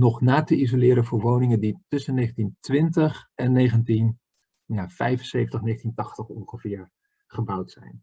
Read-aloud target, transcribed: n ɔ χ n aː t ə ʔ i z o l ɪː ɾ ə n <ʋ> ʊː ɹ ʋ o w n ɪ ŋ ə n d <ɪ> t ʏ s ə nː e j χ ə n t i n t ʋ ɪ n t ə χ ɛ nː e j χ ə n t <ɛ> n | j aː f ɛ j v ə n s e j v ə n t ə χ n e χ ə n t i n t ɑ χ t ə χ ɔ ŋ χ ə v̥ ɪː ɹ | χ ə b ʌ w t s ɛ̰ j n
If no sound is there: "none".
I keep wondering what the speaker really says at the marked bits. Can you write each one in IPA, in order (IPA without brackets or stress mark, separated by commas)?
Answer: v, i, i